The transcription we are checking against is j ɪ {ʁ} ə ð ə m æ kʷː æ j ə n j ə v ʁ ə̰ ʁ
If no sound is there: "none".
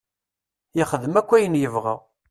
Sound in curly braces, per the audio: χ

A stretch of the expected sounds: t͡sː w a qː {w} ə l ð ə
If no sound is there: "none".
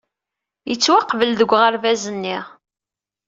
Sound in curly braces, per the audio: v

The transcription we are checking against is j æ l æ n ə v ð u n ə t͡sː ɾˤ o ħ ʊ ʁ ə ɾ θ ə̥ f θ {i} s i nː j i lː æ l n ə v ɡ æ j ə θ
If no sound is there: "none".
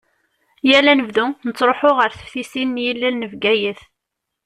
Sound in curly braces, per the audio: i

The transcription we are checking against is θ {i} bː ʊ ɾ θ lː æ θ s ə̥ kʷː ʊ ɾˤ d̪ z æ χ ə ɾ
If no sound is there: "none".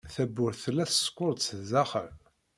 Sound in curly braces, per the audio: æ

